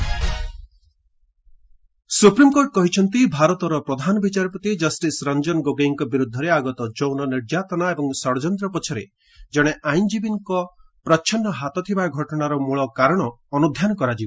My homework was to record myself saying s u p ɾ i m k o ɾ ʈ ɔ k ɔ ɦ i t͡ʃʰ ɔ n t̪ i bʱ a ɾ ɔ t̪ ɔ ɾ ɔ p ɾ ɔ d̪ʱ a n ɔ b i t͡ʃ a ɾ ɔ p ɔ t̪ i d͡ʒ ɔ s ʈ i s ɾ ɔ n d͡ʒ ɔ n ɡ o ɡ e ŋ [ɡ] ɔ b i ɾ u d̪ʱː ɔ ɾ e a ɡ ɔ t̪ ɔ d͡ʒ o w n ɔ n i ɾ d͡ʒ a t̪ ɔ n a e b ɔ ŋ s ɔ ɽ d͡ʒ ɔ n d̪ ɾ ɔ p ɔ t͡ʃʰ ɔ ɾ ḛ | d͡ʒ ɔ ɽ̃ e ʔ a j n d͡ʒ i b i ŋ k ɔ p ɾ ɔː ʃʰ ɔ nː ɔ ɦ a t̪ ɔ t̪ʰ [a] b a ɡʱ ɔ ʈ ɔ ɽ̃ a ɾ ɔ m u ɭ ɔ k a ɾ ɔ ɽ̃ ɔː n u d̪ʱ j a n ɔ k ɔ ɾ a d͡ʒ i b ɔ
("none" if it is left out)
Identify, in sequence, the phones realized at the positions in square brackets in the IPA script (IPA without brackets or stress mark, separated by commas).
k, i